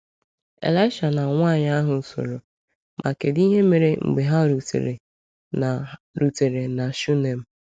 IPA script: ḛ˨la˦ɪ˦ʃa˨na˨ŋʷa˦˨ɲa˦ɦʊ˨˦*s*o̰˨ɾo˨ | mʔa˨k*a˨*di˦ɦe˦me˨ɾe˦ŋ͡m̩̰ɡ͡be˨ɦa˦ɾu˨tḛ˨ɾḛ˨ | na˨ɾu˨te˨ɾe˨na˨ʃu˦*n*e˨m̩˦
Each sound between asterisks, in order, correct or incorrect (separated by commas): correct, incorrect, correct